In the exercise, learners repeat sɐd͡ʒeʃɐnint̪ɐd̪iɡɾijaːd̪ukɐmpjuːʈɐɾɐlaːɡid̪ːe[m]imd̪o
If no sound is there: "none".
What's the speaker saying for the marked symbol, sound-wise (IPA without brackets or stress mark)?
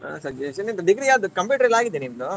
n